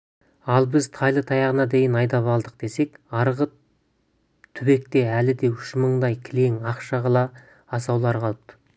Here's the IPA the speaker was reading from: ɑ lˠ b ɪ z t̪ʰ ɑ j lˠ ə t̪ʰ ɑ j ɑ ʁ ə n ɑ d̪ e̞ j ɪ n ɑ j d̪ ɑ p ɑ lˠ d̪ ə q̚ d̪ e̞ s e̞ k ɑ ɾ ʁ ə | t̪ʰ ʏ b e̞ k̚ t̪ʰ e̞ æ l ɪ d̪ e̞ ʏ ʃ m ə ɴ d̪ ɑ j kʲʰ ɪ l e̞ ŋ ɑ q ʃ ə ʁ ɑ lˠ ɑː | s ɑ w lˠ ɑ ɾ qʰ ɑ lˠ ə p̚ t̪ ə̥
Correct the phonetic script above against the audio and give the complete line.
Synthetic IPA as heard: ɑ lˠ b ɪ z t̪ʰ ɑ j lˠ ə t̪ʰ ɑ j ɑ ʁ ə n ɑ d̪ e̞ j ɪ n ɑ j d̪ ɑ p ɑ lˠ d̪ ə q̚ d̪ e̞ s e̞ k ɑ ɾ ʁ ə | t̪ʰ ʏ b e̞ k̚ t̪ e̞ æ l ɪ d̪ e̞ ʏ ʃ m ə ɴ d̪ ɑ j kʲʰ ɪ l e̞ ŋ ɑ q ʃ ɑ ʁ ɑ lˠ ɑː | s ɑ w lˠ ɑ ɾ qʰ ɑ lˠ ə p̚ t̪ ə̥